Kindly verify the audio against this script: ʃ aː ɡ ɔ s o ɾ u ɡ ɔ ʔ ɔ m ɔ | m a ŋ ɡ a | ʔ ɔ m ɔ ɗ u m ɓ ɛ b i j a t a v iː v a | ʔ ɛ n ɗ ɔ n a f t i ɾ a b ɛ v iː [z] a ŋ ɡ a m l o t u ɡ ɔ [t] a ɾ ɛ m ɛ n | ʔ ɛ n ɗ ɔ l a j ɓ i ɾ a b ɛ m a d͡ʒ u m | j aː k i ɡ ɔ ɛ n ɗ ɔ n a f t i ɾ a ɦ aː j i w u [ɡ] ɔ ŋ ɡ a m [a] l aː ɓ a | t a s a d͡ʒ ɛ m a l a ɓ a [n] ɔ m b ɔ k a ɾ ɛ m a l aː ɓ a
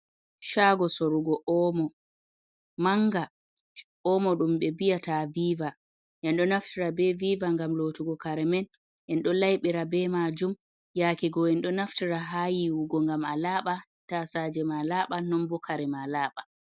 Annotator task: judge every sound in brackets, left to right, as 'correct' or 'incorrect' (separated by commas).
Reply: incorrect, incorrect, correct, correct, correct